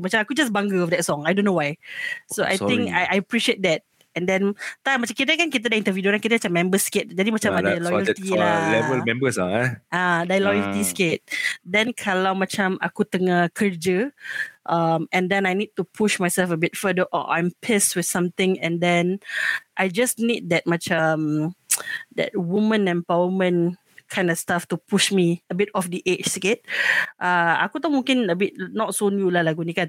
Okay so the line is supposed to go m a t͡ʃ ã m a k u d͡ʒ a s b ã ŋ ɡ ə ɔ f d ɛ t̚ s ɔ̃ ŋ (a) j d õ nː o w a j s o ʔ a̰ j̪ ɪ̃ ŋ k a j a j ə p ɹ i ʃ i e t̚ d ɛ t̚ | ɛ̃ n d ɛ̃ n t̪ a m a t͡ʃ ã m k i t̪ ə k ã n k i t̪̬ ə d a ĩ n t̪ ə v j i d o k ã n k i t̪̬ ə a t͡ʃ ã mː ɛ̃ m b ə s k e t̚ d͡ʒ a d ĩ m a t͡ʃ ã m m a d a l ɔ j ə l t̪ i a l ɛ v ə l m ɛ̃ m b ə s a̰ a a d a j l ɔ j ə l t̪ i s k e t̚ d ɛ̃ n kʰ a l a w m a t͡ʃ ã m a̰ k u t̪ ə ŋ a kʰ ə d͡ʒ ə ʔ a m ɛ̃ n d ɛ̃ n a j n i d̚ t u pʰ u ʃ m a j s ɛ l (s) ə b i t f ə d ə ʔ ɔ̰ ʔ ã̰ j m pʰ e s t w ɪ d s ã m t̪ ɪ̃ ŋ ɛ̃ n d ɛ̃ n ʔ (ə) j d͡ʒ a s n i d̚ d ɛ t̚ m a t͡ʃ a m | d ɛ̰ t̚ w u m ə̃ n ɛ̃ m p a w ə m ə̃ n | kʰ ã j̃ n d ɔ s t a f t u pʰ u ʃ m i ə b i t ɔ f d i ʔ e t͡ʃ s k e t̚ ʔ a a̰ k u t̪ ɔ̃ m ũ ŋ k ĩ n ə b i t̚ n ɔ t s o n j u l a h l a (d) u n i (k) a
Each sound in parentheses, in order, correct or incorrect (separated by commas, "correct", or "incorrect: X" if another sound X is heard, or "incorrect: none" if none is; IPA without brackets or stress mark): correct, incorrect: f, incorrect: a, incorrect: ɡ, correct